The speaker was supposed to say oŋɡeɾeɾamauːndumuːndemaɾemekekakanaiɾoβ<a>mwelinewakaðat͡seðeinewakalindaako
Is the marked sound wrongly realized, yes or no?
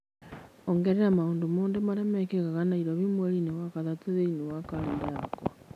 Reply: yes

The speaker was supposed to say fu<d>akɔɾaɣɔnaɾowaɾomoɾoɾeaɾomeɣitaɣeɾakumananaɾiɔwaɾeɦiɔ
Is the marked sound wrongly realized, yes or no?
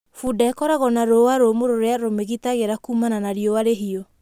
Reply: no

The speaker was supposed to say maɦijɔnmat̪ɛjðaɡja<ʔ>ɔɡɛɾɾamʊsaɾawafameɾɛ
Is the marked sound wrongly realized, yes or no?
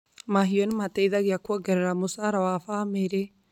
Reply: yes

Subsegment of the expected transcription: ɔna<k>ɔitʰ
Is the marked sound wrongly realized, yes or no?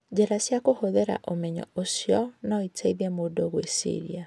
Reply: yes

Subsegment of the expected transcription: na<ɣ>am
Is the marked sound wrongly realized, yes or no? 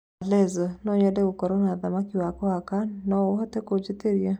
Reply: yes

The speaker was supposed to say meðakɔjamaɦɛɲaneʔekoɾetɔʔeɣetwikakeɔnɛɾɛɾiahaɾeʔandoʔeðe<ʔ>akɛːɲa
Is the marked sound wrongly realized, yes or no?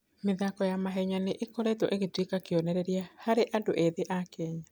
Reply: no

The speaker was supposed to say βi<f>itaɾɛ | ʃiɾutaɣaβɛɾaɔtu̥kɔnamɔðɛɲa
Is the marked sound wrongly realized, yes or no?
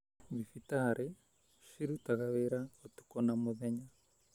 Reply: no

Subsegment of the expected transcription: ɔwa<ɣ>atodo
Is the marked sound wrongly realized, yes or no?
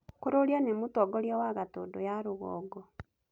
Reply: no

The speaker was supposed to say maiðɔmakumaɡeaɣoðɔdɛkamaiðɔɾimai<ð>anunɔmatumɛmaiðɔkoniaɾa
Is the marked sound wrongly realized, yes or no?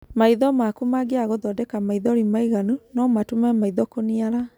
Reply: yes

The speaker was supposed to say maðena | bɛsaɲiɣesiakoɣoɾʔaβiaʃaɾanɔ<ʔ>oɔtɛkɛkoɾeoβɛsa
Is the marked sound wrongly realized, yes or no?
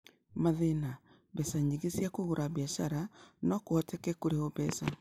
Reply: yes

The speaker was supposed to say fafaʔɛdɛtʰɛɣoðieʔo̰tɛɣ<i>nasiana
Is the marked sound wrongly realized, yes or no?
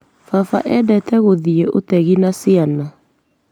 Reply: no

